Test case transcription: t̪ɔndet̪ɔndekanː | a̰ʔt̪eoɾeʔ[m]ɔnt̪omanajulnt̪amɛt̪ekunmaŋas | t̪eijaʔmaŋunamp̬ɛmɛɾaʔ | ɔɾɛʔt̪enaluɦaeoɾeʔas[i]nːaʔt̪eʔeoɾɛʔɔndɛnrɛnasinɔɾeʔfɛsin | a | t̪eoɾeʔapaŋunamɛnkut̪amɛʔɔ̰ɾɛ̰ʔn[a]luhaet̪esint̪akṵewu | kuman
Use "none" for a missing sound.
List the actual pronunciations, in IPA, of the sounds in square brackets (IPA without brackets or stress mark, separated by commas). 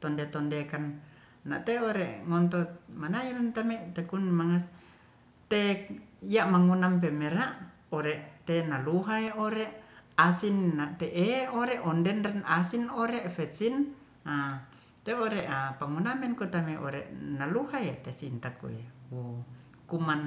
ŋ, i, a